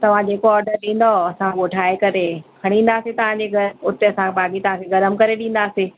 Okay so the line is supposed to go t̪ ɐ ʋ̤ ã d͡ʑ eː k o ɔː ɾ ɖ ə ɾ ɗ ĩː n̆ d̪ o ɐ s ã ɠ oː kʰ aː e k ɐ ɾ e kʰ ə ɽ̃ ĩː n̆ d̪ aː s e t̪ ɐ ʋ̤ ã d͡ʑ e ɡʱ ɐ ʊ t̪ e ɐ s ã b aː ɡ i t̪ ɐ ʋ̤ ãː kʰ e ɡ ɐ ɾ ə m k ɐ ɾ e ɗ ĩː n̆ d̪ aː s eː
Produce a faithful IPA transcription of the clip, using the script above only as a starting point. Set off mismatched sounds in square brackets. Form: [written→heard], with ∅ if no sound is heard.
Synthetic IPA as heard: t̪ ɐ ʋ̤ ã d͡ʑ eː k o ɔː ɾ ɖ ə ɾ ɗ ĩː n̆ d̪ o ɐ s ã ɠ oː [kʰ→ʈʰ] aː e k ɐ ɾ e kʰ [ə→ɐ] ɽ̃ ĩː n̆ d̪ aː s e t̪ ɐ ʋ̤ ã d͡ʑ e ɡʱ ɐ ʊ t̪ e ɐ s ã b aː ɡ i t̪ ɐ ʋ̤ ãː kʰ e ɡ ɐ ɾ ə m k ɐ ɾ e ɗ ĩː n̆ d̪ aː s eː